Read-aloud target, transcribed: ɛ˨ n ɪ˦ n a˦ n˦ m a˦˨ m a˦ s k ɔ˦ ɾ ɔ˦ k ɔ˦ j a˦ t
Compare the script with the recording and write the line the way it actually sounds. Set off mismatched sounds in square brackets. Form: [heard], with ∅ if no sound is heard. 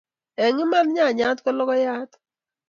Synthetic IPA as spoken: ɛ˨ [ŋ] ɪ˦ [m] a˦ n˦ [ɲ] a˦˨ [ɲ] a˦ [t] k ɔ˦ [l] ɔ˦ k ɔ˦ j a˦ t

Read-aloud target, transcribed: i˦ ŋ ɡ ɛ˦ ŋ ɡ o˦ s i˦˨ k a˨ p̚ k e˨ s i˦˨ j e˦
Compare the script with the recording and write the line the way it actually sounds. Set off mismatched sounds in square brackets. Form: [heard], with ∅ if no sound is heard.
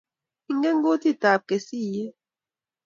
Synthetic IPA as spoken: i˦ ŋ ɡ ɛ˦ ŋ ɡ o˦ [t] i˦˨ [t] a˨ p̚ k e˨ s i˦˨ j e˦

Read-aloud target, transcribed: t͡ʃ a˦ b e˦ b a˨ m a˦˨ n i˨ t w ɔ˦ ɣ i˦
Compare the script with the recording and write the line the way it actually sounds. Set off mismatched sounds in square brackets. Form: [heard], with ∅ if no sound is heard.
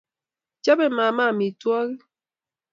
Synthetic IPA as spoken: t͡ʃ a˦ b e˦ [m] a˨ m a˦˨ [m] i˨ t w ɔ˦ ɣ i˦

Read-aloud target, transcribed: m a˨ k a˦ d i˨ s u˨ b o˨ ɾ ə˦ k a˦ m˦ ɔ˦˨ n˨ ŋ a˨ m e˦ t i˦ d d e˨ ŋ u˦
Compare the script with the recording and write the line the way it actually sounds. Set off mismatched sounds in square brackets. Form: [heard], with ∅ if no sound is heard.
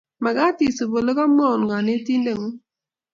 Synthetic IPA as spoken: m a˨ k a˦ [t] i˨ s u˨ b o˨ [l] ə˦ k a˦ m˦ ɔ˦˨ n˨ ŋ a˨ [n] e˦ t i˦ [n] d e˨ ŋ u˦

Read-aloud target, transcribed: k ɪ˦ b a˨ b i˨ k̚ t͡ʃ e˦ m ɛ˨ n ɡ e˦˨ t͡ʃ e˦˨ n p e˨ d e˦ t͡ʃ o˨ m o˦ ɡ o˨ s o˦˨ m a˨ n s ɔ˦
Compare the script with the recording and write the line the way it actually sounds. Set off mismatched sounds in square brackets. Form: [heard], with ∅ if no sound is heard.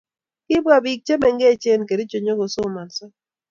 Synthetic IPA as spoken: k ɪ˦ b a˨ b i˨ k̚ t͡ʃ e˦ m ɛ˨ [ŋ] ɡ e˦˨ t͡ʃ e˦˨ n [k] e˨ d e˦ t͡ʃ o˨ [ɲ] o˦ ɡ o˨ s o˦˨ m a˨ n s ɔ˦

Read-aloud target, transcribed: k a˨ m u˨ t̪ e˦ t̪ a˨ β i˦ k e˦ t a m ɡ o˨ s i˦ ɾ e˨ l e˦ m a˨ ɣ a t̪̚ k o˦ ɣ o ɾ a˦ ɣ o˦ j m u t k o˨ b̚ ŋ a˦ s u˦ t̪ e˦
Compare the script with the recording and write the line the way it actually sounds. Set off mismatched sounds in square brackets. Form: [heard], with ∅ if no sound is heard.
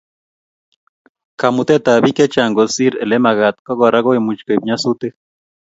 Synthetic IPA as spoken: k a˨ m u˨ t̪ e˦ t̪ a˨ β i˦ k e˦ [t͡ʃ] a [ŋ] ɡ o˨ s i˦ ɾ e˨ l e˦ m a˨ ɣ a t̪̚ k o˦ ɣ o ɾ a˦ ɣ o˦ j m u [t͡ʃ] k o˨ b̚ [ɲ] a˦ s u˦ t̪ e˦

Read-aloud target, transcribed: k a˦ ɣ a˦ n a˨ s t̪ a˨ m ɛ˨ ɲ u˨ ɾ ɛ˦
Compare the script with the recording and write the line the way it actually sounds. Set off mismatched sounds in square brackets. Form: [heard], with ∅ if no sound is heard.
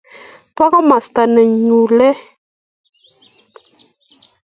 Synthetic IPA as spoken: [p] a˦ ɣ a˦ [m] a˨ s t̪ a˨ [n] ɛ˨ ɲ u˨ [l] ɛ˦

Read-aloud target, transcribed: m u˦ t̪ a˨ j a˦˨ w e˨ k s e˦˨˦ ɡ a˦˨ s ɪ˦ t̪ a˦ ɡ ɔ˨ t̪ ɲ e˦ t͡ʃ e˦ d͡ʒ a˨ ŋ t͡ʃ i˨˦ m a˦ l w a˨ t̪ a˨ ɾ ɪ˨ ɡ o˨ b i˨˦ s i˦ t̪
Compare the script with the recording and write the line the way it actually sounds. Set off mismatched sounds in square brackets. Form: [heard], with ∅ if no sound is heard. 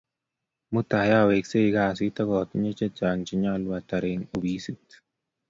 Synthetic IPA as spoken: m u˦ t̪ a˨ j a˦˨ w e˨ k s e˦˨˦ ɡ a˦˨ s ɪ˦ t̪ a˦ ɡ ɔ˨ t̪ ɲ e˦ t͡ʃ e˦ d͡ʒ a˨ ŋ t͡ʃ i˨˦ [ɲ] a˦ l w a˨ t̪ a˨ ɾ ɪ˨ [ŋ] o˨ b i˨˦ s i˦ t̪

